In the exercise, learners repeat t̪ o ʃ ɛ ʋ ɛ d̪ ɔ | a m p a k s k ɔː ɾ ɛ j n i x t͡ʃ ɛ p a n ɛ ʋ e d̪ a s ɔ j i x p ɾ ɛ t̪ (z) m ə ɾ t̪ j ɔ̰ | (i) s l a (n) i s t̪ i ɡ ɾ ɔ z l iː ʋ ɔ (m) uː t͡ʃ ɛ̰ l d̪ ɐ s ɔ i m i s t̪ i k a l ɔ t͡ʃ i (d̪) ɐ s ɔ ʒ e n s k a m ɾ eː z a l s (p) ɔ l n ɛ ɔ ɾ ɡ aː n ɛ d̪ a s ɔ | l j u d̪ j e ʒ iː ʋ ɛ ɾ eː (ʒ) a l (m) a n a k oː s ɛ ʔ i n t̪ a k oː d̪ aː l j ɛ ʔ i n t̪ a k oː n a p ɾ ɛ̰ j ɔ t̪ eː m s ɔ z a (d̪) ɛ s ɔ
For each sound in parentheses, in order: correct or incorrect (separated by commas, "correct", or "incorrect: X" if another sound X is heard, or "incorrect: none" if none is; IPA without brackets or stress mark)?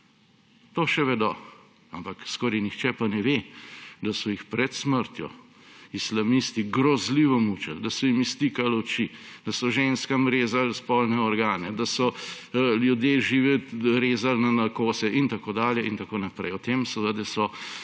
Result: incorrect: s, correct, incorrect: m, correct, correct, correct, incorrect: z, incorrect: n, correct